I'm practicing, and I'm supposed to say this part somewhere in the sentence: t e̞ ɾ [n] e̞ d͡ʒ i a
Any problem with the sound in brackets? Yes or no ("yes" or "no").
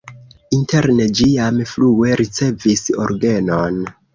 no